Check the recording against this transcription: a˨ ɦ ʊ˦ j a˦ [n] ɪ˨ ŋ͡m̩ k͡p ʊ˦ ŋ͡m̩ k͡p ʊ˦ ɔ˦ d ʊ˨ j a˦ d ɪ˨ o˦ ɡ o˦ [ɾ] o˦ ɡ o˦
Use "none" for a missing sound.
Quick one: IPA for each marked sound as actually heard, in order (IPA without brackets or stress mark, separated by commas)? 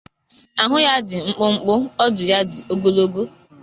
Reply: d, l